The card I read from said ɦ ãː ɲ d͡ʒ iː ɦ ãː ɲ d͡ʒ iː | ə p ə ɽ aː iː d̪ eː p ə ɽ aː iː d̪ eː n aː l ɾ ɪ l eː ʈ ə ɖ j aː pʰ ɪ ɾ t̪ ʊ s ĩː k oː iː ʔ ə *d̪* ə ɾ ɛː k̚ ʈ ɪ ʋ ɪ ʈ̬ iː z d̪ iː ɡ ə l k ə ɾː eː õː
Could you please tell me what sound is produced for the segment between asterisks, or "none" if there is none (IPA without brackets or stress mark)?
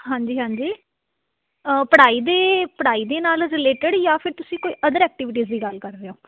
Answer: d̪